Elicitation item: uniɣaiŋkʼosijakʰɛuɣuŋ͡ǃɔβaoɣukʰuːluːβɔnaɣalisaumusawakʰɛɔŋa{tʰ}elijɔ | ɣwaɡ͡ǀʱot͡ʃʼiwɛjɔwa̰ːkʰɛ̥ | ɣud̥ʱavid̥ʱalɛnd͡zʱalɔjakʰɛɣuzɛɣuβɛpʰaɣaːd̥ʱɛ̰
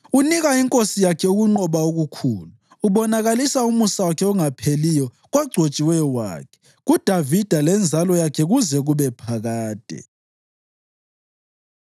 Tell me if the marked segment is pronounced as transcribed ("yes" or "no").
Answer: no